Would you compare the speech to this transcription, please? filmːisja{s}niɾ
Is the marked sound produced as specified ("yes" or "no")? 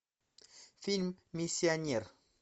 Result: no